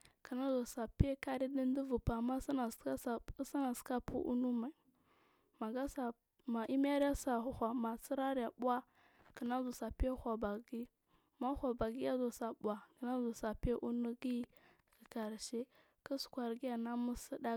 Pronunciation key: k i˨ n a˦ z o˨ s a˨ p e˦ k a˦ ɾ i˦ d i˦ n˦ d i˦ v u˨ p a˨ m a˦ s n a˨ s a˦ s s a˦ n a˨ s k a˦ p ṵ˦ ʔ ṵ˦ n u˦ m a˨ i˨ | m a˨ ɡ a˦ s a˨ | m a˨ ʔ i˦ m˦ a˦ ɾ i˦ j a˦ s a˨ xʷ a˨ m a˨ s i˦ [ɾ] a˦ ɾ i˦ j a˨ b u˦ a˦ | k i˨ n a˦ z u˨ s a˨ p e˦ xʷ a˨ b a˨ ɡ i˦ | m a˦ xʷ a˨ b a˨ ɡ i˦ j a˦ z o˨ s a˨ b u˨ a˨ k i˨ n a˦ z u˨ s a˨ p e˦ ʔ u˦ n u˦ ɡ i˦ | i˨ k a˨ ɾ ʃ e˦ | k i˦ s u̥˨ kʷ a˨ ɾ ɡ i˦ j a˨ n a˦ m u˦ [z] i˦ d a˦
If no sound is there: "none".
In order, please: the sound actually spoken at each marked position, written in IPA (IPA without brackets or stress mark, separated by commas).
ɾ, s